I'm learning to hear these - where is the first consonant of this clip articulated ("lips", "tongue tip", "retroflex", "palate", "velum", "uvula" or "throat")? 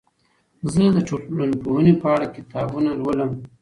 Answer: tongue tip